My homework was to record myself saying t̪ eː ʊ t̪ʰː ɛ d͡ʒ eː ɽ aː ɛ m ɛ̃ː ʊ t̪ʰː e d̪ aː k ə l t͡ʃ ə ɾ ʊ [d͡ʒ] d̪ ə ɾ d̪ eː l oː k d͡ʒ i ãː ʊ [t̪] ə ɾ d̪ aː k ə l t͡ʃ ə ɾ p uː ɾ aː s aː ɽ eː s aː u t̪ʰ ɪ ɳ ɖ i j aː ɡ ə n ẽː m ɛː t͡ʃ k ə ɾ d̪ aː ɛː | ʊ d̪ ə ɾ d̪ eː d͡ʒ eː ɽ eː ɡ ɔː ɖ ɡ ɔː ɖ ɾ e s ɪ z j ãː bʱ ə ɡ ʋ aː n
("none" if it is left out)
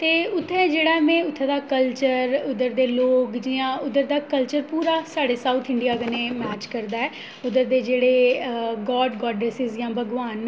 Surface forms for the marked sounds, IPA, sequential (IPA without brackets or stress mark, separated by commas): none, d̪